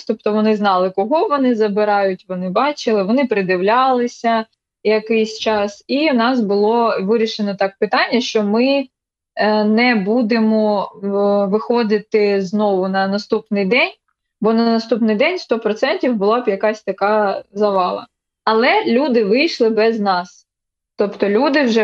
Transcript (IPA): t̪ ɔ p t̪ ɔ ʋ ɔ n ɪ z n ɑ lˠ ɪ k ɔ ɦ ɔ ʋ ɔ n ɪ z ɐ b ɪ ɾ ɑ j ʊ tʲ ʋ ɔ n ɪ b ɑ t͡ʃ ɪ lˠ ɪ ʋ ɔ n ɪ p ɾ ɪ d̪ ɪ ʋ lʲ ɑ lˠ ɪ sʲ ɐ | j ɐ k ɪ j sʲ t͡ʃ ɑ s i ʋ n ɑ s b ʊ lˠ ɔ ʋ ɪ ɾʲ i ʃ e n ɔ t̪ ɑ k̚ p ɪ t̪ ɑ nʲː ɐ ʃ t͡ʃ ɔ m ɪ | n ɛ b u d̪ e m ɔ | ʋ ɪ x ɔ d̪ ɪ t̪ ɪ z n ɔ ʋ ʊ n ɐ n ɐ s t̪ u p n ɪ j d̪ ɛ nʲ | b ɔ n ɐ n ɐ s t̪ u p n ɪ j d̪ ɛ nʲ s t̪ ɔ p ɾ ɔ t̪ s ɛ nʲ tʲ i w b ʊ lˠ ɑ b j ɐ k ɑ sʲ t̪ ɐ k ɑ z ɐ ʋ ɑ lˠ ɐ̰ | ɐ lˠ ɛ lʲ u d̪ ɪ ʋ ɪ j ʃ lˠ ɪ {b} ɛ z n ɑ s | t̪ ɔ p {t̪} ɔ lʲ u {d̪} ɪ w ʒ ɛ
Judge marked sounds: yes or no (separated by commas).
yes, yes, yes